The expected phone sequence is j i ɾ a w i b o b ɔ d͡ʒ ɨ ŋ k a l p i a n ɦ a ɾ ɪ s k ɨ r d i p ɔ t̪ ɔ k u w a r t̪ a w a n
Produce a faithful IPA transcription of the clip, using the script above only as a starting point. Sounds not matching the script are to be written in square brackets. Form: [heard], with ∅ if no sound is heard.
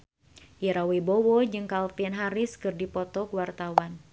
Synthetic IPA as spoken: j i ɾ a w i b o [w] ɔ d͡ʒ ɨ ŋ k a l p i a n ɦ a ɾ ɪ s k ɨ r d i p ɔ t̪ ɔ k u w a r t̪ a w a n